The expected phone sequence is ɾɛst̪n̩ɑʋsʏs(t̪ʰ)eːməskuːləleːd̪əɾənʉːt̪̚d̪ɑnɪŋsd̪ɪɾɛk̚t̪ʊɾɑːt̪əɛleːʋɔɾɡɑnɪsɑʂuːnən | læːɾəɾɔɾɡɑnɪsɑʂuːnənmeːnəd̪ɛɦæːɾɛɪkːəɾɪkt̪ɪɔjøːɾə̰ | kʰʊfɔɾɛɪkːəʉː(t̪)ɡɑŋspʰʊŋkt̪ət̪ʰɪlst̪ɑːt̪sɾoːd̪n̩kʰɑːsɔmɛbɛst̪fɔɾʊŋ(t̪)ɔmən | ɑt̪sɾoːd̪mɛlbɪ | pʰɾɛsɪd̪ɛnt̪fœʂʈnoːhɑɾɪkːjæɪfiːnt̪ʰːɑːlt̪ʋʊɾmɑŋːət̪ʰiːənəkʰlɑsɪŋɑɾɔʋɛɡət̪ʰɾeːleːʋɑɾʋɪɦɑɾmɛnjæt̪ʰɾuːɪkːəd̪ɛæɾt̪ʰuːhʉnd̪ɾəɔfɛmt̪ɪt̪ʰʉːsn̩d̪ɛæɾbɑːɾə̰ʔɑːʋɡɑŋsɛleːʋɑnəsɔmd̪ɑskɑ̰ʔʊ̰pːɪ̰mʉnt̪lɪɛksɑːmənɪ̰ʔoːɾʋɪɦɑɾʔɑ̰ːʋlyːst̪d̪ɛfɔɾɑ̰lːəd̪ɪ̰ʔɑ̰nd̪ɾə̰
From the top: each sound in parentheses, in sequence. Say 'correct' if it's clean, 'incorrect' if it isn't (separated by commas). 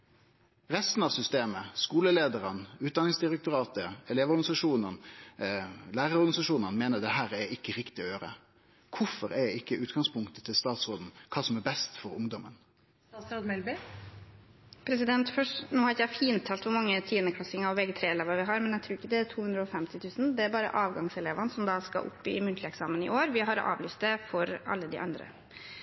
incorrect, correct, incorrect